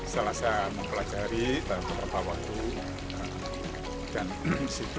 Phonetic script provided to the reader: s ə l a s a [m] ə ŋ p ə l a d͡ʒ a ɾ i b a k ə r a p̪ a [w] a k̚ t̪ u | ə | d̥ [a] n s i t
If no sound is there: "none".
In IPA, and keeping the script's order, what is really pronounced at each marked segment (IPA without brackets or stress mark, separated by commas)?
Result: m, w, a